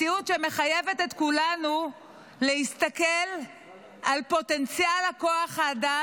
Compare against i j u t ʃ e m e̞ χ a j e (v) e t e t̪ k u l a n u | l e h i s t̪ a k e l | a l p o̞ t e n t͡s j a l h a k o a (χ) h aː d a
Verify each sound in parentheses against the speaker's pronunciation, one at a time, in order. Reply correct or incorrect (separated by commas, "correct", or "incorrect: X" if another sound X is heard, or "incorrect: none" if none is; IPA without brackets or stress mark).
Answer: correct, correct